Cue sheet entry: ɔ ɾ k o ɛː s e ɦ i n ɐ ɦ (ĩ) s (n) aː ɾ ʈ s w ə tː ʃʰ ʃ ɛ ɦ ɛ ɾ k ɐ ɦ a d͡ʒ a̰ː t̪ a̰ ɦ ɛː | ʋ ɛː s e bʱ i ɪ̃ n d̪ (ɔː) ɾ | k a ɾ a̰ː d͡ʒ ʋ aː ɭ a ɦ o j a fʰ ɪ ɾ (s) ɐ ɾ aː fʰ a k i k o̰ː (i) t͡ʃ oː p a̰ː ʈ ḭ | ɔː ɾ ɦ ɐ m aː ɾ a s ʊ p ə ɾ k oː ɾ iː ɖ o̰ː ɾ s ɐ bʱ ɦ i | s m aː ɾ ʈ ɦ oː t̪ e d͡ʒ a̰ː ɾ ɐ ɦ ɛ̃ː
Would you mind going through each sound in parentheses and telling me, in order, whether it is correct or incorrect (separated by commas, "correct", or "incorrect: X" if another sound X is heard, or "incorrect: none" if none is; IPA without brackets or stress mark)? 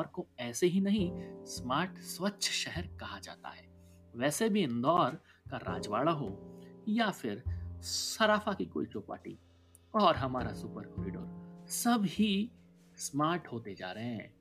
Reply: correct, incorrect: m, correct, correct, correct